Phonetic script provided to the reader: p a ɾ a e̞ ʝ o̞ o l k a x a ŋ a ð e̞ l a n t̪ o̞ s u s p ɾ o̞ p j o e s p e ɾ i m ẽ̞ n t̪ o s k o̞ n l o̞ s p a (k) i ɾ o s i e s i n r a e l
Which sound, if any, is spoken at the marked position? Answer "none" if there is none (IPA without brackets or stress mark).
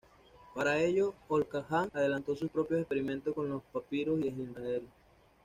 p